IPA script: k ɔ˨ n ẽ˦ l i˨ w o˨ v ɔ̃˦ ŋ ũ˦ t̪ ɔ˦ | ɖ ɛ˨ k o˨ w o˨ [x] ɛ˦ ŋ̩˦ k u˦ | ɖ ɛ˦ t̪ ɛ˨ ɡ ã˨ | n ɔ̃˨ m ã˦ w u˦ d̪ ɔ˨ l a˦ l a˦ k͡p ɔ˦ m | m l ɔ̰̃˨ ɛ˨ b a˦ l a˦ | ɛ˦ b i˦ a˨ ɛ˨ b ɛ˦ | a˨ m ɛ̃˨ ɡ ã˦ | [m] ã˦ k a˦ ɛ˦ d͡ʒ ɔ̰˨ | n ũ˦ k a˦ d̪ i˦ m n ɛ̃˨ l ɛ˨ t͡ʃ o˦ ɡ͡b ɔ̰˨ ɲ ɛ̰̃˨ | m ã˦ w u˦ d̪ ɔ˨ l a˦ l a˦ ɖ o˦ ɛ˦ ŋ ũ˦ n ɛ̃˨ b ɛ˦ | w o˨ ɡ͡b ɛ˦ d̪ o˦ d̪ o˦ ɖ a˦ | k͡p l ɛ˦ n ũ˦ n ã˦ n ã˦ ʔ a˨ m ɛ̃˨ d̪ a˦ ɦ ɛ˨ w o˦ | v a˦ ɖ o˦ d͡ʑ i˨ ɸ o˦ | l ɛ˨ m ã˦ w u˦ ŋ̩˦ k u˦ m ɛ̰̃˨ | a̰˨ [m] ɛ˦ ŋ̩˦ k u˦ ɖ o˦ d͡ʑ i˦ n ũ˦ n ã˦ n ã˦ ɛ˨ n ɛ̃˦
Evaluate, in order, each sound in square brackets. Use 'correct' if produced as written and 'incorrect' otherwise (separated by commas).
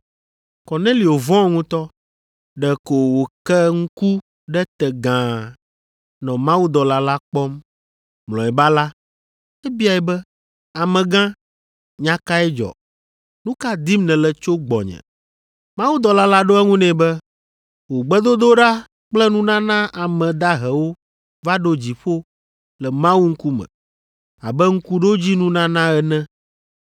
incorrect, incorrect, incorrect